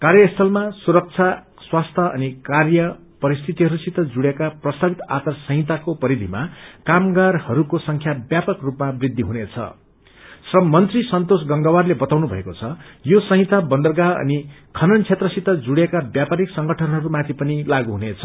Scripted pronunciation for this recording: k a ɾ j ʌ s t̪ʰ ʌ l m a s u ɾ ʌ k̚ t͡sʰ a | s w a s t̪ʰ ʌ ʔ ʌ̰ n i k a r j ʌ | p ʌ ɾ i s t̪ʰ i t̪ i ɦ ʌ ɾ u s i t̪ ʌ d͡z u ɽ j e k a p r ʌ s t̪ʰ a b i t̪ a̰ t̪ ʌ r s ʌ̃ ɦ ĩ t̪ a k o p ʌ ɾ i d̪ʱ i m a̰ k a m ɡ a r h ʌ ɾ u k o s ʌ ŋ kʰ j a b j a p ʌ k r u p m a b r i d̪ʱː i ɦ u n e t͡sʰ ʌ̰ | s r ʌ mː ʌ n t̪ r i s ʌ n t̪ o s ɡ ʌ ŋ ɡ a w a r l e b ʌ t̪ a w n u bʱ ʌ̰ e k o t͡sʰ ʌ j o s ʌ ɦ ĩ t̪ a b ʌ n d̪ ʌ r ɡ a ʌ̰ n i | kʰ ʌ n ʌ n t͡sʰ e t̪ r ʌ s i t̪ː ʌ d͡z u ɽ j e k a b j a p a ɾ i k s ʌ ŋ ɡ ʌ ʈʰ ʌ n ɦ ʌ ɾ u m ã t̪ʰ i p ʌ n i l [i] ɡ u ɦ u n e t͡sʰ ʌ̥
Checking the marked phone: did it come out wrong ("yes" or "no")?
yes